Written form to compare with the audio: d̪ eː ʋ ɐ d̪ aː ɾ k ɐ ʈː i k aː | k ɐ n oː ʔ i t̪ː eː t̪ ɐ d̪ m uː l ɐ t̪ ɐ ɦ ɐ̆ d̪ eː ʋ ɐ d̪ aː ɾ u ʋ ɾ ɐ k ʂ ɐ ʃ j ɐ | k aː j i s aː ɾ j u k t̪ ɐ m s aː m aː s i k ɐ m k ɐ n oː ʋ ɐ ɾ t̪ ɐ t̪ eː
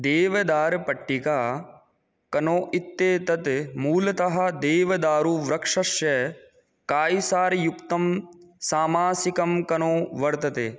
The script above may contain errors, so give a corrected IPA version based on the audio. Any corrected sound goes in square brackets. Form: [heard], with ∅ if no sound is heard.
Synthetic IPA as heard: d̪ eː ʋ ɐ d̪ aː ɾ [p] ɐ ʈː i k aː | k ɐ n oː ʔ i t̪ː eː t̪ ɐ [t̪] m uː l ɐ t̪ ɐ ɦ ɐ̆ d̪ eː ʋ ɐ d̪ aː ɾ u ʋ ɾ ɐ k ʂ ɐ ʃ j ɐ | k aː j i s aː ɾ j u k t̪ ɐ m s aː m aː s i k ɐ m k ɐ n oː ʋ ɐ ɾ t̪ ɐ t̪ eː